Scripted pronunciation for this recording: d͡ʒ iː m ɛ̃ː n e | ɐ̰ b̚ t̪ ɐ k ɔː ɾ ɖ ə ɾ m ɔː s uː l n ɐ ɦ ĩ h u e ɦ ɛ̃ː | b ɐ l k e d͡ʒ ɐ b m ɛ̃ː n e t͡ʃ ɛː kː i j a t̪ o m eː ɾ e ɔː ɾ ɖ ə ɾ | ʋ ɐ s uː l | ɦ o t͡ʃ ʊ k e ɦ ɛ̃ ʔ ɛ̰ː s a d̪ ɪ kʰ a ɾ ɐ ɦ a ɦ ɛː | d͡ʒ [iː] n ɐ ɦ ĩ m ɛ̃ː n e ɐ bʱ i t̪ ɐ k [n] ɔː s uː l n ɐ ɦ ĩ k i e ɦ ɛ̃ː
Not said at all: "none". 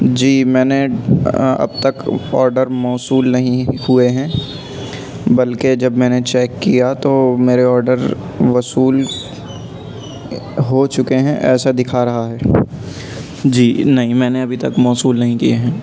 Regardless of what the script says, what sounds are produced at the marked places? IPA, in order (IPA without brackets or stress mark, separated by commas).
iː, m